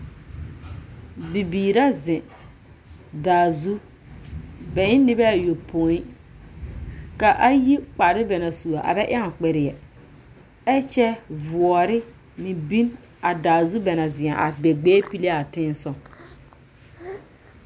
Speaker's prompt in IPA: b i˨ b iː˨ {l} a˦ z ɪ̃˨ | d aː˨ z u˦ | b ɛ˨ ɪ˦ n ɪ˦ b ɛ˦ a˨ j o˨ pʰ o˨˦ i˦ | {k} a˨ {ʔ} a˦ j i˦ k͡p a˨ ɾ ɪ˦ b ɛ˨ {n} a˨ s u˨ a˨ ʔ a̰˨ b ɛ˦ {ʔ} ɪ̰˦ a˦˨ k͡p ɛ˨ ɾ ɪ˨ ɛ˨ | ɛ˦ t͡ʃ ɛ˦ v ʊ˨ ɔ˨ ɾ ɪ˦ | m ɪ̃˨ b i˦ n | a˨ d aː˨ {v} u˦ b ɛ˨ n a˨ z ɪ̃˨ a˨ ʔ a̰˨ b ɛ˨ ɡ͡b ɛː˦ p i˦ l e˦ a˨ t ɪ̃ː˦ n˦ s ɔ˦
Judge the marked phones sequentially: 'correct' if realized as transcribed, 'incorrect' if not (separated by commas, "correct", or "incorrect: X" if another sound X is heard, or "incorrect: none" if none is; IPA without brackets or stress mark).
incorrect: ɾ, correct, correct, correct, correct, incorrect: z